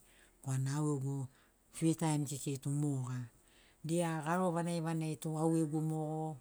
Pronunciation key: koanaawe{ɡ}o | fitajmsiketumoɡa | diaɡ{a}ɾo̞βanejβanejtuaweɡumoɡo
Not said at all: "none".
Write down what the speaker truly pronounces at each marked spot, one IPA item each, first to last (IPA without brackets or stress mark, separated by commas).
ɡ, a